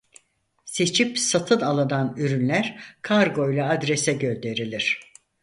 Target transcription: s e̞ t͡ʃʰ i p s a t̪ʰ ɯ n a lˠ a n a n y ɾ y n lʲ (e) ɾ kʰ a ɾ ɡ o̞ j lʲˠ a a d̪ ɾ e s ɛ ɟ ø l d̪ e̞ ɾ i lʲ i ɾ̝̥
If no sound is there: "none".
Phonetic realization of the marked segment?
æ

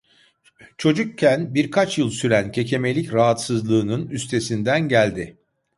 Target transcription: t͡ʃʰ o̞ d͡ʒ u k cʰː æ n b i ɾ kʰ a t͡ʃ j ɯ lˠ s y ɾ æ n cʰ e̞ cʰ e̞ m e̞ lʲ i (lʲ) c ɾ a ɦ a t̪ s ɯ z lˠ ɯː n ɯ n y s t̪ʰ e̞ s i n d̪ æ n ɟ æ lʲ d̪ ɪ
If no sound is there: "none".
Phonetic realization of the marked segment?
none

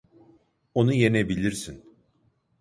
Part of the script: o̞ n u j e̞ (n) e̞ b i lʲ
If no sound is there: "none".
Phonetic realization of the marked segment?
n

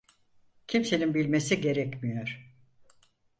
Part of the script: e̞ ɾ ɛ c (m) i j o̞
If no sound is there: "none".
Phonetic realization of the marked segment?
m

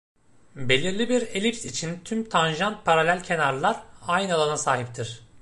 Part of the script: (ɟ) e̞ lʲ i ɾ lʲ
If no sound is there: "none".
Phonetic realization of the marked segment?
b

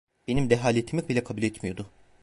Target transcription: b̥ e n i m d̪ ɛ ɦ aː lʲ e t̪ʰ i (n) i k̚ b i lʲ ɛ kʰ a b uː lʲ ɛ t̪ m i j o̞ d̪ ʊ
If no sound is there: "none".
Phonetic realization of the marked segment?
m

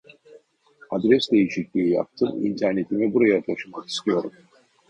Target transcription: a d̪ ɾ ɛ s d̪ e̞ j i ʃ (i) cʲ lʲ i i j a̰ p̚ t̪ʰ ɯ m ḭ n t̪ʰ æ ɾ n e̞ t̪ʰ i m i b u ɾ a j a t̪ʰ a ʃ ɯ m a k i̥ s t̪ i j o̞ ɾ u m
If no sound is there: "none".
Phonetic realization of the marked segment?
i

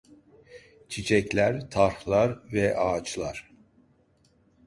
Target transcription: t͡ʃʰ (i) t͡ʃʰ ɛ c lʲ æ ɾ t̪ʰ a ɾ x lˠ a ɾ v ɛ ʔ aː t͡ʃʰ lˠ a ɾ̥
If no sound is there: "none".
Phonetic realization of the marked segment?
i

